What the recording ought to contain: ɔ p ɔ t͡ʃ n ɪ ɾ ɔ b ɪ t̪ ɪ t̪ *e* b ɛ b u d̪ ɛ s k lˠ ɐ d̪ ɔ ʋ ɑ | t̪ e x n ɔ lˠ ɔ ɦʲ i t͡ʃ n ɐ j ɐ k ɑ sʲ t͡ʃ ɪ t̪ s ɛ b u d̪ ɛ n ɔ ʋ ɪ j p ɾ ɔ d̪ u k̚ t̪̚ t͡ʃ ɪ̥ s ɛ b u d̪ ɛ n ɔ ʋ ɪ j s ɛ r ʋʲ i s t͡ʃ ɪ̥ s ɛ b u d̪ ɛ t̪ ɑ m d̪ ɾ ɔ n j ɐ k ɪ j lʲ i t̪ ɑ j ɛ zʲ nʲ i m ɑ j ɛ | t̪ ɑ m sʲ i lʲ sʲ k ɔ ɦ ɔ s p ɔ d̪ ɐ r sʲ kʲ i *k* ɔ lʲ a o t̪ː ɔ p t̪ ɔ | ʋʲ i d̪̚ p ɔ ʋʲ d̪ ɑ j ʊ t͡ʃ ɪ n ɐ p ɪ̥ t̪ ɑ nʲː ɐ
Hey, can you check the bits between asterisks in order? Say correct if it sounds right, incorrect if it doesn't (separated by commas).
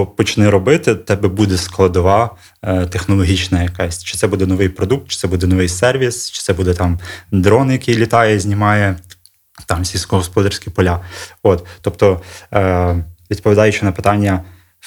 incorrect, incorrect